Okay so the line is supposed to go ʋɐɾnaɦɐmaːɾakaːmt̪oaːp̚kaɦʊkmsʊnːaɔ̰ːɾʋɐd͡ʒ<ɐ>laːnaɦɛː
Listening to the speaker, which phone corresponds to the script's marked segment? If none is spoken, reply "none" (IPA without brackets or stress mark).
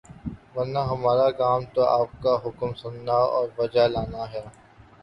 a